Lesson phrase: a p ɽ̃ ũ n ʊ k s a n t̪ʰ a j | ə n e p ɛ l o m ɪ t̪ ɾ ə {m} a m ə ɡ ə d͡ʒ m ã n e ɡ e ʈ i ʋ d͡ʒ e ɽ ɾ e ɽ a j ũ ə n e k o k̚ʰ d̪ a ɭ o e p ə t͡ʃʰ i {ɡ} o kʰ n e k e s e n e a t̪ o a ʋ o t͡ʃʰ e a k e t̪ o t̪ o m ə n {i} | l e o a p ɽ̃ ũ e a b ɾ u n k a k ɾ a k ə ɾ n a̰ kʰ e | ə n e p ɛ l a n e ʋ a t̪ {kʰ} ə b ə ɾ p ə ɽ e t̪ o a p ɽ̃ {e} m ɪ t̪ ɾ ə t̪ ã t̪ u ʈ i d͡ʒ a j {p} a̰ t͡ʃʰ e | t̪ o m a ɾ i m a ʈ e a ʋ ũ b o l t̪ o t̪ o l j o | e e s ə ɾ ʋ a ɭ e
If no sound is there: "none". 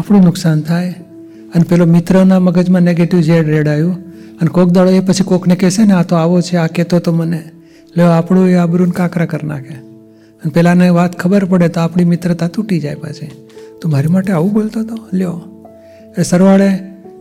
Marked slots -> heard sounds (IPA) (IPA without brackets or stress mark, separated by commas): n, k, e, kʰ, i, p